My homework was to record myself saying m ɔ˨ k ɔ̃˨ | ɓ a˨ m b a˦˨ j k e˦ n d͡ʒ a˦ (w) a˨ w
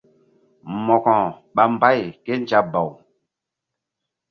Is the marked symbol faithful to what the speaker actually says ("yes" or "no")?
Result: no